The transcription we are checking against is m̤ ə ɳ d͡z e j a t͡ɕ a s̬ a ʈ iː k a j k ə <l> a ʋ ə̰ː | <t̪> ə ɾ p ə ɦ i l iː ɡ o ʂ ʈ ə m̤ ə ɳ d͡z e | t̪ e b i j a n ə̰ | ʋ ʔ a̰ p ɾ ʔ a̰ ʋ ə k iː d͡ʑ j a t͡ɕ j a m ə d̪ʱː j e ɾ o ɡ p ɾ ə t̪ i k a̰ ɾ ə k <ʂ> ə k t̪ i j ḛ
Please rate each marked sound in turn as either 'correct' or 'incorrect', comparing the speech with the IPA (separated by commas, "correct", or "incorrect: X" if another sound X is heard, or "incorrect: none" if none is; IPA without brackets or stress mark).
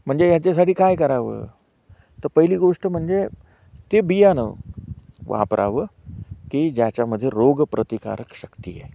incorrect: ɾ, correct, incorrect: ɕ